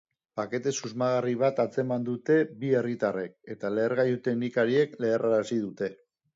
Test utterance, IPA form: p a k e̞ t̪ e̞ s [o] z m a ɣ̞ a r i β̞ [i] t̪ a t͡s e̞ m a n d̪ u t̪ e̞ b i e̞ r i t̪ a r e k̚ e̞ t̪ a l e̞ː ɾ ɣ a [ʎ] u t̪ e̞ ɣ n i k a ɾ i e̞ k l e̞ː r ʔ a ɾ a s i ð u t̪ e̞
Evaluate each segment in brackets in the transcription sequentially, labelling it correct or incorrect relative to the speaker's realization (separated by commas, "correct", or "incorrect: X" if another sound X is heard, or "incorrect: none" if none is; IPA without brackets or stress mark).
incorrect: u, incorrect: a, incorrect: j